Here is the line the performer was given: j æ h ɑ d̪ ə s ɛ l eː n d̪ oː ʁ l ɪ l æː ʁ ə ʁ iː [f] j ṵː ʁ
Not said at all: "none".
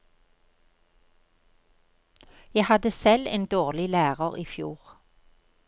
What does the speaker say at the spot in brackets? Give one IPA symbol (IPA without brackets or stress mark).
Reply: f